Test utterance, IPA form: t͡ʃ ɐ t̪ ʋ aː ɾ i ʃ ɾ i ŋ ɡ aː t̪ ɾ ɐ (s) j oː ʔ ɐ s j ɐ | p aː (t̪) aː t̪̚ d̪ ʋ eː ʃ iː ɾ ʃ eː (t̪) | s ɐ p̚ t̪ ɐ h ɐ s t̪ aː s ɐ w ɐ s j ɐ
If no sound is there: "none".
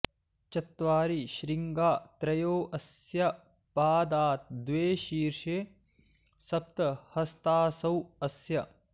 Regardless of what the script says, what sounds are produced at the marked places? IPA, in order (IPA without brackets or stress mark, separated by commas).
none, d̪, none